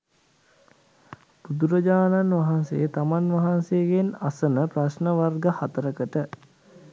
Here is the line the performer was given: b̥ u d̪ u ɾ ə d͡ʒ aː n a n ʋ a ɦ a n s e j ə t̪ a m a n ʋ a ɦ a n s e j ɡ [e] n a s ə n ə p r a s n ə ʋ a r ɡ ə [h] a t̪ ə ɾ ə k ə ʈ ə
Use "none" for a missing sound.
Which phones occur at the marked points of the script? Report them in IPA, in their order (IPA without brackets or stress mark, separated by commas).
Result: e, h